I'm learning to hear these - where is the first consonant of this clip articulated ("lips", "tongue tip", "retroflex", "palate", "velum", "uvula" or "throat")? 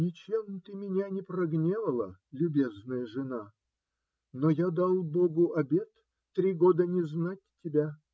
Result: tongue tip